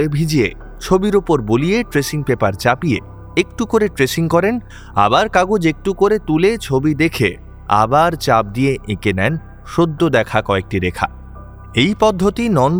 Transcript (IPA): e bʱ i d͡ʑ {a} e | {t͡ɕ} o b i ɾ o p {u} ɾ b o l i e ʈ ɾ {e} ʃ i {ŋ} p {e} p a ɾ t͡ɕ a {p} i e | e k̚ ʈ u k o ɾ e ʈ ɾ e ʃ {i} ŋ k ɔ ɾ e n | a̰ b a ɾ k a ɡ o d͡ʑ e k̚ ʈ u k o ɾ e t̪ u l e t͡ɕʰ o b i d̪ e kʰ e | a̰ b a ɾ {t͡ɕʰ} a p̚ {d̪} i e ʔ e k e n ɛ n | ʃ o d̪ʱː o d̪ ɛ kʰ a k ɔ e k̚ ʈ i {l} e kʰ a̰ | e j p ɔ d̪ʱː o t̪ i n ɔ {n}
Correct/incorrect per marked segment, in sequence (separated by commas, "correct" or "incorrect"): incorrect, incorrect, incorrect, correct, correct, correct, correct, correct, incorrect, correct, incorrect, correct